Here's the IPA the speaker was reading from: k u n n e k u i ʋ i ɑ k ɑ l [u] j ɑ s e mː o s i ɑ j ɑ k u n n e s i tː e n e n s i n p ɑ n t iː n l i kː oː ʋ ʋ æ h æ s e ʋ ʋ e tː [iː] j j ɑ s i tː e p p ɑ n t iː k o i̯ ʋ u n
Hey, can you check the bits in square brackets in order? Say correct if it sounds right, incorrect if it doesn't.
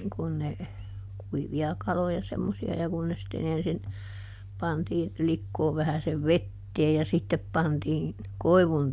incorrect: o, incorrect: eː

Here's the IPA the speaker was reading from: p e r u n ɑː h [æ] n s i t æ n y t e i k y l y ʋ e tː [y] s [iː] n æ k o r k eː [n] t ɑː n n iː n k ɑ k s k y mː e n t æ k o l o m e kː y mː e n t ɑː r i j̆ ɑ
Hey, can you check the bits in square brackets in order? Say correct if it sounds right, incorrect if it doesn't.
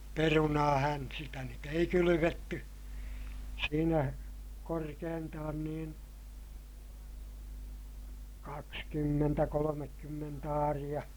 correct, correct, correct, correct

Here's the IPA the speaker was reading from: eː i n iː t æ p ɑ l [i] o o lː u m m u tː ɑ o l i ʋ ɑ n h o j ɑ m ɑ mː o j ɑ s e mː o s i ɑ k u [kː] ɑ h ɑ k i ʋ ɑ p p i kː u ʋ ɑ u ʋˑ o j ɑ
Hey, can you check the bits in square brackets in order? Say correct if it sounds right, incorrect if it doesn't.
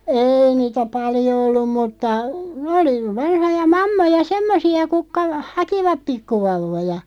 incorrect: j, correct

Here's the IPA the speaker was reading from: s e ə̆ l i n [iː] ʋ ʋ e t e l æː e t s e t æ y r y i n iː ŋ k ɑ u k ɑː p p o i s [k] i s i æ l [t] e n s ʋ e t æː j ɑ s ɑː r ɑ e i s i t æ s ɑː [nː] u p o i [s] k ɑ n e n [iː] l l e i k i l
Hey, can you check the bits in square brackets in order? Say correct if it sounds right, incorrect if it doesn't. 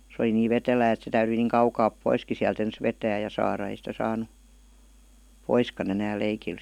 correct, correct, correct, incorrect: n, correct, incorrect: æː

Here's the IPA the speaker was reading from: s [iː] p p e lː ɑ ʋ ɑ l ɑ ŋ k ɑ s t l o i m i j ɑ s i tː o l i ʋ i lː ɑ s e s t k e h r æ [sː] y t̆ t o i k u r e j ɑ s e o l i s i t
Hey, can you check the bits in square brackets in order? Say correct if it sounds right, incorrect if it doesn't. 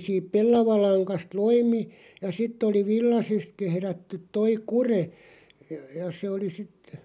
correct, incorrect: tː

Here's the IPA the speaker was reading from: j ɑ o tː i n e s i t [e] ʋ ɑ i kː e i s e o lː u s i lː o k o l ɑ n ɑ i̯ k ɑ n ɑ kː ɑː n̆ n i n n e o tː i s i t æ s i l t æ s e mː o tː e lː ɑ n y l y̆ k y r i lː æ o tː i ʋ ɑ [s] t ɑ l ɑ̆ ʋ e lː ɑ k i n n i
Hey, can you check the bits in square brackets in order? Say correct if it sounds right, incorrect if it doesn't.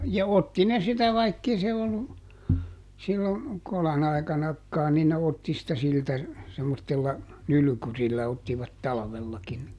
incorrect: æ, incorrect: t

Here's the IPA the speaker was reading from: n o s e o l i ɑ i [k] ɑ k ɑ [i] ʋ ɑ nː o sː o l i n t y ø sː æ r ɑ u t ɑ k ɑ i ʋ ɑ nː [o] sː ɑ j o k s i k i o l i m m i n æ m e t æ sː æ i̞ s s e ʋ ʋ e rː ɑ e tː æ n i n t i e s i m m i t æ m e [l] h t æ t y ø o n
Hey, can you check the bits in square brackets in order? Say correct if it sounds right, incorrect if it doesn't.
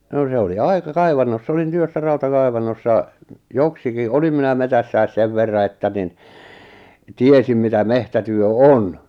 correct, correct, correct, incorrect: none

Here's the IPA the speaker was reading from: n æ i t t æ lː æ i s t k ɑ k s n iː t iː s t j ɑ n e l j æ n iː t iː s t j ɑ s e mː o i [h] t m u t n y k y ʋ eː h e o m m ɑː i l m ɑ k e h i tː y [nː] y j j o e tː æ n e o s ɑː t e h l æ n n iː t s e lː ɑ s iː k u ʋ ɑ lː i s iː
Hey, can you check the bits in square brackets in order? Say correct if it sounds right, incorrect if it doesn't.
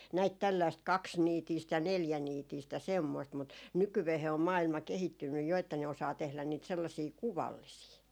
incorrect: s, correct

